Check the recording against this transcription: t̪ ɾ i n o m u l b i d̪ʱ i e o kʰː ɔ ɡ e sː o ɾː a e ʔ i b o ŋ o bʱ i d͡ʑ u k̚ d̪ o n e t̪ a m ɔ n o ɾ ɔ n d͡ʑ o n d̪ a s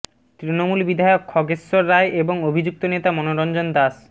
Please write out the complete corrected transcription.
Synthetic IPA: t̪ ɾ i n o m u l b i d̪ʱ a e o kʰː ɔ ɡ e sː o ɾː a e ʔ e b o ŋ o bʱ i d͡ʑ u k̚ t̪ o n e t̪ a m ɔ n o ɾ ɔ n d͡ʑ o n d̪ a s